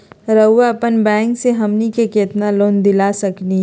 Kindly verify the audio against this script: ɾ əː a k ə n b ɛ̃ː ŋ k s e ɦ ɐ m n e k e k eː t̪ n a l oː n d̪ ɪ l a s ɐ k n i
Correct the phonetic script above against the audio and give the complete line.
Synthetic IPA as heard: ɾ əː a p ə n b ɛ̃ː ŋ k s e ɦ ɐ m n i k e k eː t̪ n a l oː n d̪ ɪ l a s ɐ k n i